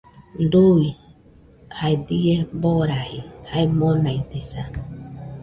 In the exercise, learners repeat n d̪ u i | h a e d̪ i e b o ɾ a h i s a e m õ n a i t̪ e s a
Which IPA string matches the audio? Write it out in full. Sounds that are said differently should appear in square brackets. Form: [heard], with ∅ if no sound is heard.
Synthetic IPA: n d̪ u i | h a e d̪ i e b o ɾ a h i [h] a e m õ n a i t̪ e s a